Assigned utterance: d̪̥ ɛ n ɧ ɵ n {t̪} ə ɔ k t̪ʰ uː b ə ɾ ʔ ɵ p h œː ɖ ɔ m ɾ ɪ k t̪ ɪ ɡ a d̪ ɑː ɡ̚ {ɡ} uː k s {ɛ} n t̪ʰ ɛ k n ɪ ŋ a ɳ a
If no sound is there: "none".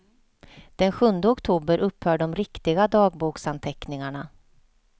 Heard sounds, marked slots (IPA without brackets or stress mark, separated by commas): d̪, b, a